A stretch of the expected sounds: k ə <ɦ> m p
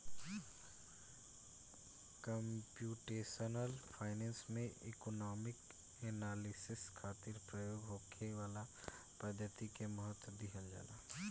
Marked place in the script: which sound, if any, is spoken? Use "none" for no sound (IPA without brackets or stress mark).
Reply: none